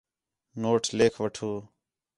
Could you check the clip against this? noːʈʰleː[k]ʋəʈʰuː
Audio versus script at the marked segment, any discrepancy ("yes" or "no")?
yes